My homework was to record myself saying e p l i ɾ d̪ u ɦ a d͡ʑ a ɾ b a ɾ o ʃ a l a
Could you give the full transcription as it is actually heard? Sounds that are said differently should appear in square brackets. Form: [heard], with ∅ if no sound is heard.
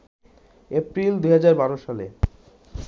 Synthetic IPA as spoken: e p [ɾ] i [l] d̪ u ɦ a d͡ʑ a ɾ b a ɾ o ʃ a l [e]